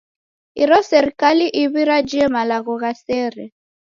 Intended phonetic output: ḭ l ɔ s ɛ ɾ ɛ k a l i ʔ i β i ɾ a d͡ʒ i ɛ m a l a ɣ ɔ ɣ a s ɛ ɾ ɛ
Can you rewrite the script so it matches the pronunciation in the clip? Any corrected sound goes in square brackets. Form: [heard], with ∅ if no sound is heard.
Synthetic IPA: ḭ [ɾ] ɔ s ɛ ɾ [i] k a l i ʔ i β i ɾ a d͡ʒ i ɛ m a l a ɣ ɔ ɣ a s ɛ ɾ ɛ

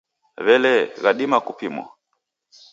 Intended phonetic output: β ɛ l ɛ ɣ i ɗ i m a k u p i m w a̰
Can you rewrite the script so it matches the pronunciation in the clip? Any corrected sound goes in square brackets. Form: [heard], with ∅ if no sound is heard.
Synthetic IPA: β ɛ l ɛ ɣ [a] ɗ i m a k u p i m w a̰

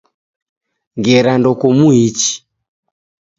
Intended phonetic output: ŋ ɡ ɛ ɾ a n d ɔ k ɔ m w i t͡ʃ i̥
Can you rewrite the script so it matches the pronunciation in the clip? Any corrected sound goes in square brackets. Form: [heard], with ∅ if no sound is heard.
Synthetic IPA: ŋ ɡ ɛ ɾ a n d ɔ k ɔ m [u] i t͡ʃ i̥

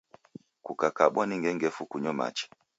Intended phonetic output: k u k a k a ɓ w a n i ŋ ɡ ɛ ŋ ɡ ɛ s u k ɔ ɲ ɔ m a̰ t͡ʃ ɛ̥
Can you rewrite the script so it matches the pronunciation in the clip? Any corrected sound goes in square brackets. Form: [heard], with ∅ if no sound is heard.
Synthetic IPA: k u k a k a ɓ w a n i ŋ ɡ ɛ ŋ ɡ ɛ [f] u k [u] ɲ ɔ m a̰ t͡ʃ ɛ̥

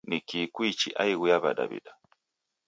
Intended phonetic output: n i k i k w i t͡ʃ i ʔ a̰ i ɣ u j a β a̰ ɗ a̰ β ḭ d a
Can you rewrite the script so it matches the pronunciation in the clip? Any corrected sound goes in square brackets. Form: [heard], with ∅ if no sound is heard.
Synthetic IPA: n i k i k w i t͡ʃ i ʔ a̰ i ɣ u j a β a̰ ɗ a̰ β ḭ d a

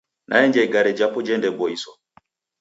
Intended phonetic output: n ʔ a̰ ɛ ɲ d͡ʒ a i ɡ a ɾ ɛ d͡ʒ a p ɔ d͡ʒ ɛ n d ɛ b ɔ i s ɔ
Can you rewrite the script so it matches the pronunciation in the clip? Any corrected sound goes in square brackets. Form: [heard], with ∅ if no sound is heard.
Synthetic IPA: n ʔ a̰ ɛ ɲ d͡ʒ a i ɡ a ɾ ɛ d͡ʒ a p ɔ d͡ʒ ɛ n d ɛ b ɔ i s ɔ

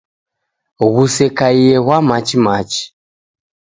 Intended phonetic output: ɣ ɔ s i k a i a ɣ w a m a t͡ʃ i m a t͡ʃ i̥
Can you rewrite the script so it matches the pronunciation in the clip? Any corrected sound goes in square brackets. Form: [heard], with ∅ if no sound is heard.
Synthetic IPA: ɣ [u] s [ɛ] k a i [ɛ] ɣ w a m a t͡ʃ i m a t͡ʃ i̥

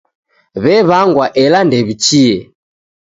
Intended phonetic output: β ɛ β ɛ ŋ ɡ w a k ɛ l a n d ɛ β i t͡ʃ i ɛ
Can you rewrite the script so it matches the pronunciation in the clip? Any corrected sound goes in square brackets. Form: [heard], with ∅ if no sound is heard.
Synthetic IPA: β ɛ β [a] ŋ ɡ w a [ʔ] ɛ l a n d ɛ β i t͡ʃ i ɛ

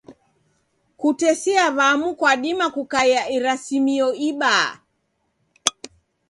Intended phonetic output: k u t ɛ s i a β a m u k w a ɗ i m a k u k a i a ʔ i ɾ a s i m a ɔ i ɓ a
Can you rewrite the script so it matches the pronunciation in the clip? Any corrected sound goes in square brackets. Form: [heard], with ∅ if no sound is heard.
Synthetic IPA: k u t ɛ s i a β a m u k w a ɗ i m a k u k a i a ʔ i ɾ a s i m [i] ɔ i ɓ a

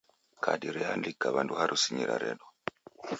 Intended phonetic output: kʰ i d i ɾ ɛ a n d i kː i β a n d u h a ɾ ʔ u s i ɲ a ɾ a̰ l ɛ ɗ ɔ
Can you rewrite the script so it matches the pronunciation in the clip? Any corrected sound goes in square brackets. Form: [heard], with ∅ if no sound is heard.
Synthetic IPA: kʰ [a] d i ɾ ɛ a n d i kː [a] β a n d u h a ɾ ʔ u s i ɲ [i] ɾ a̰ [ɾ] ɛ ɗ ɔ

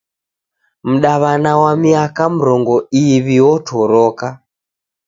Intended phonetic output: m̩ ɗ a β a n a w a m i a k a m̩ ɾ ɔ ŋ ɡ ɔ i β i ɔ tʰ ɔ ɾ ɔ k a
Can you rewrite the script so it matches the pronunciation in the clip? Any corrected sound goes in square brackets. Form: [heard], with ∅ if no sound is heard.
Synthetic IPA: m̩ ɗ a β a n a w a m i a k a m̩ ɾ ɔ ŋ ɡ ɔ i β i ɔ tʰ ɔ ɾ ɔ k a

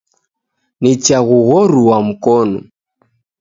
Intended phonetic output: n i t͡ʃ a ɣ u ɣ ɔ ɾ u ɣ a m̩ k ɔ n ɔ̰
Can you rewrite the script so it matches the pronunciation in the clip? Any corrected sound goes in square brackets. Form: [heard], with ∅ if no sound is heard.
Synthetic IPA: n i t͡ʃ a ɣ u ɣ ɔ ɾ u [w] a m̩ k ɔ n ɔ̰

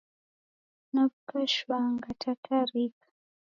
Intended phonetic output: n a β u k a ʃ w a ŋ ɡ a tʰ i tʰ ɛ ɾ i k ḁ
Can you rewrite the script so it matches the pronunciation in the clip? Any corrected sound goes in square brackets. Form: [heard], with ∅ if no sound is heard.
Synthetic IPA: n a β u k a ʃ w a ŋ ɡ a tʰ [a] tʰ [a] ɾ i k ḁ

